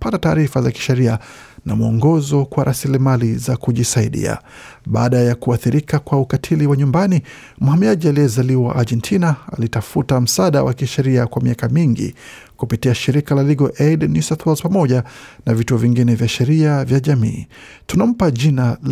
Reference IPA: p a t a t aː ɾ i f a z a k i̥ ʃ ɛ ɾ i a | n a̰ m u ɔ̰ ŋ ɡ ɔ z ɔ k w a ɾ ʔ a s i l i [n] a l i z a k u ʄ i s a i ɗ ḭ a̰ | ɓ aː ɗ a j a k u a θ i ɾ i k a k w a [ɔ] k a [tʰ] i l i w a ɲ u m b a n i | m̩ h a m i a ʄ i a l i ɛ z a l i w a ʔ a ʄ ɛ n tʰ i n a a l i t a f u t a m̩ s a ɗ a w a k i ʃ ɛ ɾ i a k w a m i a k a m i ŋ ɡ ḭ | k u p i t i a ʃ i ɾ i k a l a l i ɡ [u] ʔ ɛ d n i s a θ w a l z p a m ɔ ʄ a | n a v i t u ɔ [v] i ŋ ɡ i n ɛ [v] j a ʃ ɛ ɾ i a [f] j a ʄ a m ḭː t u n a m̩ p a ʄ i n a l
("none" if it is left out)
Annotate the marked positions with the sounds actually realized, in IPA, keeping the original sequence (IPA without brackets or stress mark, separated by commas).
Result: m, u, tʰ, ɔ, v, v, v